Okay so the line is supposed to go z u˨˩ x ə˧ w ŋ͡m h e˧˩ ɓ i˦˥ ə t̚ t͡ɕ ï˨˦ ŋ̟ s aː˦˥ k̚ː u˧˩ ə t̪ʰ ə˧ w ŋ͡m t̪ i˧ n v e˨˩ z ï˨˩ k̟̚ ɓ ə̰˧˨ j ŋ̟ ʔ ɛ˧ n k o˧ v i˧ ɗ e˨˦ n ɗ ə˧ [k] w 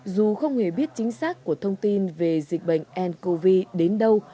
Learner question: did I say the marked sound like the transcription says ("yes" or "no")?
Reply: no